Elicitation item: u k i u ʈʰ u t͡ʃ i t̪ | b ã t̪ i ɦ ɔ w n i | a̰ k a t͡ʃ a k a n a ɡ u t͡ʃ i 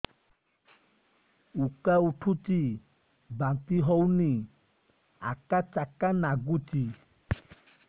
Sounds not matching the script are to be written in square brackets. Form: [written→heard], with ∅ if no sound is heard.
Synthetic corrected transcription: u k [i→a] u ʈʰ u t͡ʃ i [t̪→∅] | b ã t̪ i ɦ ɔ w n i | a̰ k a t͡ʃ a k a n a ɡ u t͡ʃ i